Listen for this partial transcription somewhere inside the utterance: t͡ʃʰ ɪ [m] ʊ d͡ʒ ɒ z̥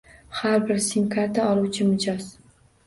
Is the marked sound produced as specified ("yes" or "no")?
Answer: yes